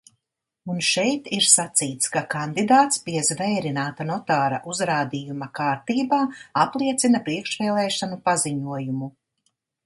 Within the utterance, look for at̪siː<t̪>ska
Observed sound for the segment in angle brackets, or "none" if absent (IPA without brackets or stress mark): t̪